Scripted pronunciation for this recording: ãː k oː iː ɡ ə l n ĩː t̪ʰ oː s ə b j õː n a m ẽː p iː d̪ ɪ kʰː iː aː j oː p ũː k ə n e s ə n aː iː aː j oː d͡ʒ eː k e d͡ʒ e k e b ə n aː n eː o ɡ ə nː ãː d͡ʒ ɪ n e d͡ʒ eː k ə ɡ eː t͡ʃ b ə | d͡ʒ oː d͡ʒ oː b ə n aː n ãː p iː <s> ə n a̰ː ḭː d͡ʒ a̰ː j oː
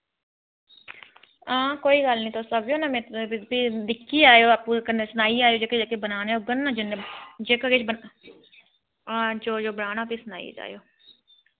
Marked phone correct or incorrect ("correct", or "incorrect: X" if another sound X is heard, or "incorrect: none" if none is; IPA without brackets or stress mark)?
correct